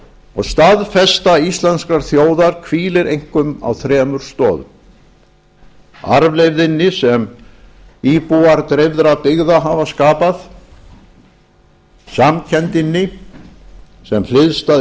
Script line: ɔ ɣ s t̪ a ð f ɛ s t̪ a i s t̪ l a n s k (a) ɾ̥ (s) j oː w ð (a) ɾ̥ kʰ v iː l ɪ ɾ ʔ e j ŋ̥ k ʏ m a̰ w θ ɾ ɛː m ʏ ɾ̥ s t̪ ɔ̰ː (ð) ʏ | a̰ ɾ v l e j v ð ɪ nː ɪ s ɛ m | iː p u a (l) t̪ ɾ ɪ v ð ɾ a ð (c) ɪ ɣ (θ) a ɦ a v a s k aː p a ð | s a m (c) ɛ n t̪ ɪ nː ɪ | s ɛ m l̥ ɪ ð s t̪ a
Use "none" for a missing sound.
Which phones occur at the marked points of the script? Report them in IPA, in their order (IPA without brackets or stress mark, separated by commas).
a, θ, a, ð, ɾ, p, ð, cʰ